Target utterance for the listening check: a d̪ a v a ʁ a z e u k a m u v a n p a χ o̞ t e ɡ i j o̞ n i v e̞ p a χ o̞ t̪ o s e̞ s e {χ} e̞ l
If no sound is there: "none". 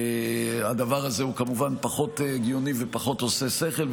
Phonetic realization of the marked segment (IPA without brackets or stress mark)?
χ